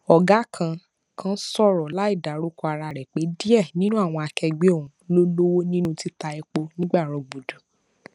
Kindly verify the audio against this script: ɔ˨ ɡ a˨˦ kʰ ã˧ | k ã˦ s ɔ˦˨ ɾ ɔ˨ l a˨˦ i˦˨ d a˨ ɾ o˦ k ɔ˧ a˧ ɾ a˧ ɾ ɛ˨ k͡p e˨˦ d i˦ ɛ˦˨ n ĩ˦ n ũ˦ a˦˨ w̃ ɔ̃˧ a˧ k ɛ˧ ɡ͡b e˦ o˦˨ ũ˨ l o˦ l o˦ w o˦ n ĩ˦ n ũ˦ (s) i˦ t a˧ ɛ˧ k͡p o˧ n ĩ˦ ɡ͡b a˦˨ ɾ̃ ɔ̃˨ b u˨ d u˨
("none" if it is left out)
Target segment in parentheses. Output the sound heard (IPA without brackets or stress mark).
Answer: t